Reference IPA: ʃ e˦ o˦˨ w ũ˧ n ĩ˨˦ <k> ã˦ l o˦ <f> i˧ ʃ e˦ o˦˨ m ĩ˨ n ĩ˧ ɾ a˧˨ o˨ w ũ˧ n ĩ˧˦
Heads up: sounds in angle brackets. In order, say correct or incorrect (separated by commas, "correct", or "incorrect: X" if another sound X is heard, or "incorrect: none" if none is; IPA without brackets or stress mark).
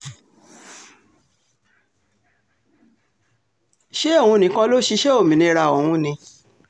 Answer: correct, incorrect: ʃ